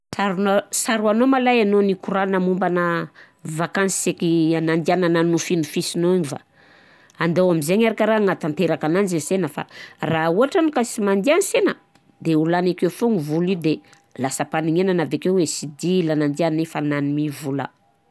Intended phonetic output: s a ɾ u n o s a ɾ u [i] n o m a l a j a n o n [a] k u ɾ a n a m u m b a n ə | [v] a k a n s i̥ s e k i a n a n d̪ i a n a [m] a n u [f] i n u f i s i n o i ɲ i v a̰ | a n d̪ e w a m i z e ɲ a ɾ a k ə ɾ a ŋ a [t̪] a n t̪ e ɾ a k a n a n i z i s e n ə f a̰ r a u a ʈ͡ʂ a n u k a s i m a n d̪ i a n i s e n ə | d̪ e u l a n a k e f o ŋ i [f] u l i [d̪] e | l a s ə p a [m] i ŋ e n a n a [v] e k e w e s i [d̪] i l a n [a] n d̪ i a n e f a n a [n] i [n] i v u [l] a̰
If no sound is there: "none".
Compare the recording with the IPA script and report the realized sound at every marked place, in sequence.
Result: a, i, v, n, f, t̪, v, d̪, n, v, d̪, a, n, m, l

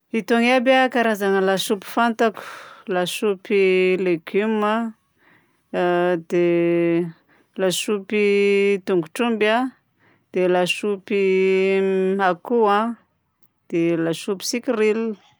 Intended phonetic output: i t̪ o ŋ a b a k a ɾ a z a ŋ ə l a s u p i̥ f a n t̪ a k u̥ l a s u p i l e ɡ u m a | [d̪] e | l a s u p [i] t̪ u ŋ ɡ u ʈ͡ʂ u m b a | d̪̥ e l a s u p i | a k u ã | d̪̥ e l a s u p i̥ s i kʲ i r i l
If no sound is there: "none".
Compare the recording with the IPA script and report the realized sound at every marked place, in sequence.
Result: d̪, i

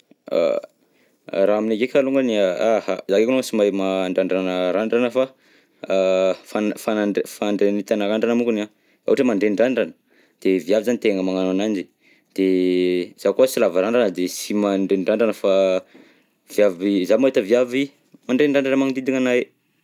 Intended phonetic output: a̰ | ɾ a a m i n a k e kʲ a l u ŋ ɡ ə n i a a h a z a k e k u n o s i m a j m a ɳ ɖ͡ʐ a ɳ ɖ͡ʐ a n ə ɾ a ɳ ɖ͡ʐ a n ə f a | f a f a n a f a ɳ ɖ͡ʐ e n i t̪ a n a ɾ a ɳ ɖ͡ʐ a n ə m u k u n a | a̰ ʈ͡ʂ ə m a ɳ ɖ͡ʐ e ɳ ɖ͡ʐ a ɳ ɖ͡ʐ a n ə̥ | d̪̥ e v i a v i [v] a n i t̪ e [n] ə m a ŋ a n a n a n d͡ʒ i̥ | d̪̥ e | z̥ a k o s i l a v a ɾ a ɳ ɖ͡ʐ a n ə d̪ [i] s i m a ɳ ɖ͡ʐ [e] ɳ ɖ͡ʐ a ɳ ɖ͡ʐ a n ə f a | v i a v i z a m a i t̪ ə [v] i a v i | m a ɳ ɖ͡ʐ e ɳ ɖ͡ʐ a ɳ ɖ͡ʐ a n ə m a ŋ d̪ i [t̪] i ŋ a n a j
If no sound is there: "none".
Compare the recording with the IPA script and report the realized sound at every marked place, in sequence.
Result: z, ŋ, e, e, v, d̪

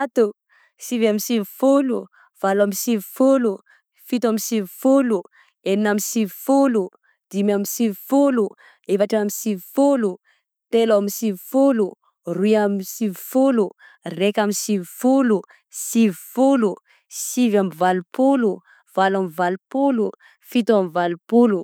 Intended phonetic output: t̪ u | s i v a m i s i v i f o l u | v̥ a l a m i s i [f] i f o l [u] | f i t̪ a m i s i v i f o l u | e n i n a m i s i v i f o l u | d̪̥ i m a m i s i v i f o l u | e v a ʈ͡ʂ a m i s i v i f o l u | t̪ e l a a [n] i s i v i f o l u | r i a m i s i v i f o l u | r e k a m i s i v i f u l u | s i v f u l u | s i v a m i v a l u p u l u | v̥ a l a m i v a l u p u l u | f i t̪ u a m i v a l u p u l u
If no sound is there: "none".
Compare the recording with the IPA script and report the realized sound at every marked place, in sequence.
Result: v, u, m

